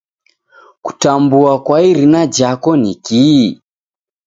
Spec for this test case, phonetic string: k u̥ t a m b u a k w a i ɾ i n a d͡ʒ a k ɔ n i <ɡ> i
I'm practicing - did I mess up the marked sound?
yes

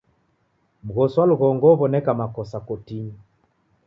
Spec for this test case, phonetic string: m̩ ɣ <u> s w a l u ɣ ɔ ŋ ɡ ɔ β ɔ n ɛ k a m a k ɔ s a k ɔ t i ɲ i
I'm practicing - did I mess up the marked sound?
yes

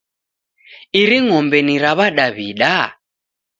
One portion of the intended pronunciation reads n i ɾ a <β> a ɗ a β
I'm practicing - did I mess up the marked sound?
no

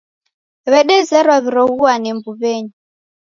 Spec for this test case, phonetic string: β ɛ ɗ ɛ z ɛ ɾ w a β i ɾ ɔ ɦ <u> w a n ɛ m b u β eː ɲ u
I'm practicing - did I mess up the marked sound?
no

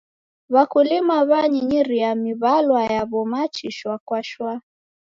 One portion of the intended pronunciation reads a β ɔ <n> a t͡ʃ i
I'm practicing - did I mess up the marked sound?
yes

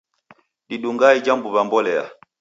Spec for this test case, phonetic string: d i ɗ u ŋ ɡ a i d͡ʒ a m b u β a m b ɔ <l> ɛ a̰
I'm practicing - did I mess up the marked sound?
no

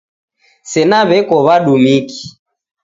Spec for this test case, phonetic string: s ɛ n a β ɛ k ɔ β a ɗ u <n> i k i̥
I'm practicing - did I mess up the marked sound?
yes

